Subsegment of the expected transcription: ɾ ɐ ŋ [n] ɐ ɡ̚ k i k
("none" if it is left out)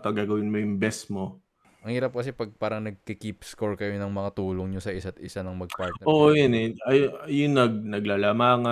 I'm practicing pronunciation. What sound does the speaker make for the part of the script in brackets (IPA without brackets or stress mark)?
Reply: n